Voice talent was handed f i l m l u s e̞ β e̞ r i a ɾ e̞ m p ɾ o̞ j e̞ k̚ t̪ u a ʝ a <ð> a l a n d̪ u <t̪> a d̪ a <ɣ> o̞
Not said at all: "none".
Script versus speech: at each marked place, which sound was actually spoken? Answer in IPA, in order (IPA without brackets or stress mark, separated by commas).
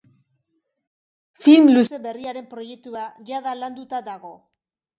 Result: ð, t̪, ɣ